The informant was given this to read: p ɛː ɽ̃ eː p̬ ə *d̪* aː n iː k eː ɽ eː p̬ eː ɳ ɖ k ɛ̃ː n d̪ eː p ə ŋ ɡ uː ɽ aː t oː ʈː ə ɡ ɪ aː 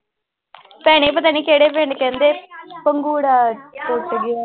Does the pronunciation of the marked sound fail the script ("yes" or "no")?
yes